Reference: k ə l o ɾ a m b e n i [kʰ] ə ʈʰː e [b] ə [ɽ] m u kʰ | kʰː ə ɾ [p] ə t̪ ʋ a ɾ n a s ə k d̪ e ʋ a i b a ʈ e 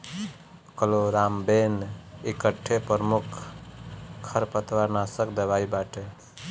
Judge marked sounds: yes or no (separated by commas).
no, no, no, yes